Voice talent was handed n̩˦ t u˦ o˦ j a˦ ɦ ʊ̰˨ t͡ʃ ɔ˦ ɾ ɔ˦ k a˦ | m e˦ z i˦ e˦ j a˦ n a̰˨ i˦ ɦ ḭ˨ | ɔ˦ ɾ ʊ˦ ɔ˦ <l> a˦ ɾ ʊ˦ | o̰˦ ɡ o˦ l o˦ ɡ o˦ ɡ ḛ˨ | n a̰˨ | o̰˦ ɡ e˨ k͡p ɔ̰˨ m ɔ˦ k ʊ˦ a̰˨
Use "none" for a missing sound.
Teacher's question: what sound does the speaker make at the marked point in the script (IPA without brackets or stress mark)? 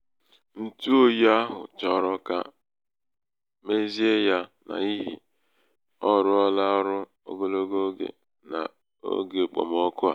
l